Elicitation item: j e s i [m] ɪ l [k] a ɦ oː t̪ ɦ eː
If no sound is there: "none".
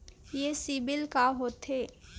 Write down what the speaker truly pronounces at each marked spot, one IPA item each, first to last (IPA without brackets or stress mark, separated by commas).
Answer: b, k